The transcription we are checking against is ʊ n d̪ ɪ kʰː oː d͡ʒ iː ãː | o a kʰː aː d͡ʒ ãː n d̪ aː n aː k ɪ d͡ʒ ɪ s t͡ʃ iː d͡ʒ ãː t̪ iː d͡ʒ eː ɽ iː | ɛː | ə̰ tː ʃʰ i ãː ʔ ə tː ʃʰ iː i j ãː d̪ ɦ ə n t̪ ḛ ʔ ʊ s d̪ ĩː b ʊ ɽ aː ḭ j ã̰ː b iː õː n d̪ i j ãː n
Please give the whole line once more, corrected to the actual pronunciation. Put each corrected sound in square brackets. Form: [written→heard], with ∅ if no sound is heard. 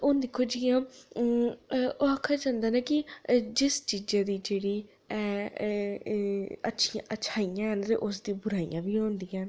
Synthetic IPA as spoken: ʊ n d̪ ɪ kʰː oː d͡ʒ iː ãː | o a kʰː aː d͡ʒ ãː n d̪ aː n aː k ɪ d͡ʒ ɪ s t͡ʃ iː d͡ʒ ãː [t̪→d̪] iː d͡ʒ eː ɽ iː | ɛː | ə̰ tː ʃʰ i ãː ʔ ə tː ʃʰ [iː→aː] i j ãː [d̪→∅] ɦ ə n t̪ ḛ ʔ ʊ s d̪ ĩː b ʊ [ɽ→ɾ] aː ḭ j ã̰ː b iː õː n d̪ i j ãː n